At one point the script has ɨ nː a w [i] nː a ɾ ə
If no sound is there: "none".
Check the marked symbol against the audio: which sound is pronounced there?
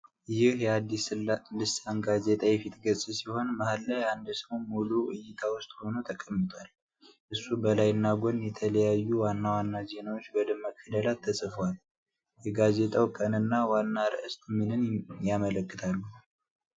a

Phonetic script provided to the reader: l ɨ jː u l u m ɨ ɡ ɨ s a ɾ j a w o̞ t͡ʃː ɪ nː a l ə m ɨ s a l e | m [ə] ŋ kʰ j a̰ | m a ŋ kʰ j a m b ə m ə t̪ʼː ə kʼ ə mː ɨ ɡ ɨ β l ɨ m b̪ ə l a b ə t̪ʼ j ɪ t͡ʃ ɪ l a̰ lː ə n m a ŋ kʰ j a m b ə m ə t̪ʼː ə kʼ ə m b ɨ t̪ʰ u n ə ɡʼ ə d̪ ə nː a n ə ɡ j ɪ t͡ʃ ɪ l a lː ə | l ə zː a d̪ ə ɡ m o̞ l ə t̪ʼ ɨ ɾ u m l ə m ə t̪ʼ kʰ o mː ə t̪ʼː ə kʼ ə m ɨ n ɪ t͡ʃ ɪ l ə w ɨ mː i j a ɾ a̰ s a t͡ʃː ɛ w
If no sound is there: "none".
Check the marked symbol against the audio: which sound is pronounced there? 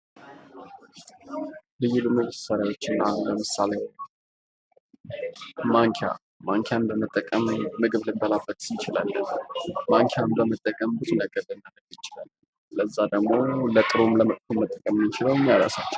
a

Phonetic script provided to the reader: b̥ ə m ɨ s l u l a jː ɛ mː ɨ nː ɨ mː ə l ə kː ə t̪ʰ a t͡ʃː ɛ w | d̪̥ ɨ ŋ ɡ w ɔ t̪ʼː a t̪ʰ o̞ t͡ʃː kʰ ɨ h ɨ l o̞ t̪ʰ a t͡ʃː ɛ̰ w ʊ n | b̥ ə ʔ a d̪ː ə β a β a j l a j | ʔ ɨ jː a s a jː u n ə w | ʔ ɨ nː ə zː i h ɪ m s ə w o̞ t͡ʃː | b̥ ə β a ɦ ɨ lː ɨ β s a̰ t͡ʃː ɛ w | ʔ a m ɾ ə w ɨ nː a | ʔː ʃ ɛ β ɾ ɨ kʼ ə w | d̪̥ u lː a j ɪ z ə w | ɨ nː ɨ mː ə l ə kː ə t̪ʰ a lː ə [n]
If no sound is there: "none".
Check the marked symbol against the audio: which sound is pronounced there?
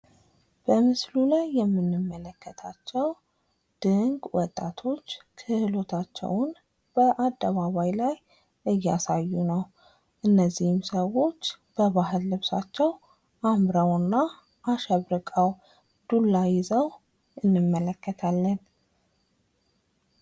n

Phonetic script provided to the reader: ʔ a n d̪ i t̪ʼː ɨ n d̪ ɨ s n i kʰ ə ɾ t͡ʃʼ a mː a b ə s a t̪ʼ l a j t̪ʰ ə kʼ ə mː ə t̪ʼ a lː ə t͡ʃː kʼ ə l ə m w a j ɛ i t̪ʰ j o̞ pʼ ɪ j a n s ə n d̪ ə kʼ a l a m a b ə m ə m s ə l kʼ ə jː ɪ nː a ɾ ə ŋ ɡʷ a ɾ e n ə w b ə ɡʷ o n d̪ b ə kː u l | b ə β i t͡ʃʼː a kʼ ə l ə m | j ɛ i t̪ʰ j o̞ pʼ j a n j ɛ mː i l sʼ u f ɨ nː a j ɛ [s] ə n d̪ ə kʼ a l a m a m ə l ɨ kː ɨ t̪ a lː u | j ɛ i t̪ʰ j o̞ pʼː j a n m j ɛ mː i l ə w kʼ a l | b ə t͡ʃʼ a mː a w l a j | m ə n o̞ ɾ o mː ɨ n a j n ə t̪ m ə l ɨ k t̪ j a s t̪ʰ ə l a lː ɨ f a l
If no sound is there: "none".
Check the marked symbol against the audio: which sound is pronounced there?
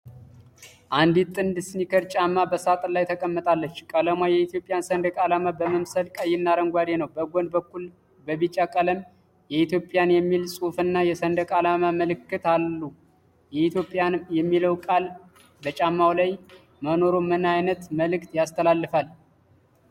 s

